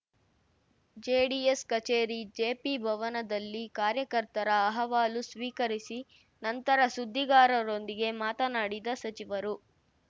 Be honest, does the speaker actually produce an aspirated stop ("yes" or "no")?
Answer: no